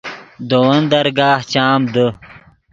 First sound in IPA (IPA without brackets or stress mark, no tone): d̪